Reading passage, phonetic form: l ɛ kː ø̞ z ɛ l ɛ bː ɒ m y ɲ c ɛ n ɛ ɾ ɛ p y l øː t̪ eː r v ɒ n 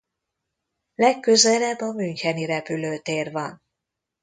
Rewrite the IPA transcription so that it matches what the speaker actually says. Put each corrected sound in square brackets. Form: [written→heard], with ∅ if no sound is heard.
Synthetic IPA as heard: l ɛ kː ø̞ z ɛ l ɛ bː ɒ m y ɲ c ɛ n [ɛ→i] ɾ ɛ p y l øː t̪ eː r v ɒ n